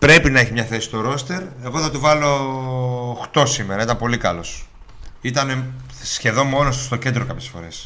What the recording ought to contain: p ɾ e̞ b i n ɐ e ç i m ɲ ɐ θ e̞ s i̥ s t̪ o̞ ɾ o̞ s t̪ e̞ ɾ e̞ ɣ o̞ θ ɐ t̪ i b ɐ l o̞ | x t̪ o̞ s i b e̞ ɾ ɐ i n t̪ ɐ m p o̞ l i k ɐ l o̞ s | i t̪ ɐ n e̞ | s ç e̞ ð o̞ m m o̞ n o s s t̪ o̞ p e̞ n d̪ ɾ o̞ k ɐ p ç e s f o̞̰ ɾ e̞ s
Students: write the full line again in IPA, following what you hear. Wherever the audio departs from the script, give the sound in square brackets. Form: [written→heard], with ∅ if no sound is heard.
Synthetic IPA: p ɾ e̞ [b→p] i n ɐ e ç i m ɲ ɐ θ e̞ s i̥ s t̪ o̞ ɾ o̞ s t̪ e̞ ɾ e̞ ɣ o̞ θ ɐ t̪ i [b→v] ɐ l o̞ | x t̪ o̞ s i [b→m] e̞ ɾ ɐ i [n→∅] t̪ ɐ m p o̞ l i k ɐ l o̞ s | i t̪ ɐ n e̞ | s ç e̞ ð o̞ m m o̞ n o s s t̪ o̞ [p→c] e̞ n d̪ ɾ o̞ k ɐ p ç e s f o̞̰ ɾ e̞ s